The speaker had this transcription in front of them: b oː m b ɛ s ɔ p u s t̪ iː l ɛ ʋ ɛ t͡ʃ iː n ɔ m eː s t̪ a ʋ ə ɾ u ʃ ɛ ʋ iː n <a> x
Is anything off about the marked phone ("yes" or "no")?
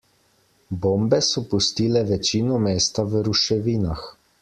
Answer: no